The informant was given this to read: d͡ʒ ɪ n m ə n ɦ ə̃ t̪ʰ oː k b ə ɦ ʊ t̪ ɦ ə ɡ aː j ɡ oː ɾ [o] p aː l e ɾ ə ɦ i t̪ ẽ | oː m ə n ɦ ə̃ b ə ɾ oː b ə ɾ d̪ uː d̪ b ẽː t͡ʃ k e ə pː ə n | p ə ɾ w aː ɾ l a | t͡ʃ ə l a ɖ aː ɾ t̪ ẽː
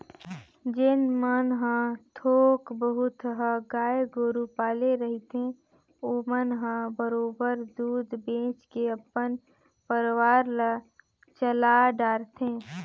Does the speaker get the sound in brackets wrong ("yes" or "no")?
yes